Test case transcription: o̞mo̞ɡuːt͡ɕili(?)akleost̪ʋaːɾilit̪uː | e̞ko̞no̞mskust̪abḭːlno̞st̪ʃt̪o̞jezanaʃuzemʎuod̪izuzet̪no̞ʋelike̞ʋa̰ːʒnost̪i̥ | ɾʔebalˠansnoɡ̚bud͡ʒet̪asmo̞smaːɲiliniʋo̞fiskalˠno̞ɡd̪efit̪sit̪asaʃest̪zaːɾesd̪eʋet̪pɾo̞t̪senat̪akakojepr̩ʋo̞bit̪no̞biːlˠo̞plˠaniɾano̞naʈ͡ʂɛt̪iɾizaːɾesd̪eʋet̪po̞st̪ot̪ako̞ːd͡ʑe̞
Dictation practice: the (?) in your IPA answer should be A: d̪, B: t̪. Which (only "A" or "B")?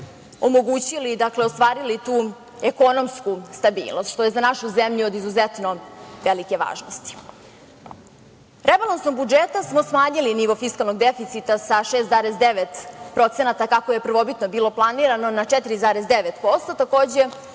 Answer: A